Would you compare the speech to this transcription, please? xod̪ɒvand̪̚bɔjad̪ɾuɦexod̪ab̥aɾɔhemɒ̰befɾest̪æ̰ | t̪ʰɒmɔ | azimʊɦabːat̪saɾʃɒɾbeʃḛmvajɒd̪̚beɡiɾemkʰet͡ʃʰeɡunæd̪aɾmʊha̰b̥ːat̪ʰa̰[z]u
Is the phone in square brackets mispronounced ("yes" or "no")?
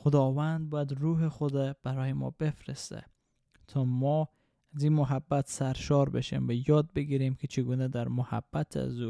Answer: no